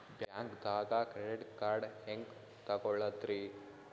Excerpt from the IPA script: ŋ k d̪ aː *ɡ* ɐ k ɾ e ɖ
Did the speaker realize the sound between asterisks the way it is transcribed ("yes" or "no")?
yes